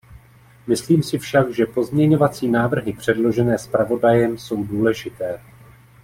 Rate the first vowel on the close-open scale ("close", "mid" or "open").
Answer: close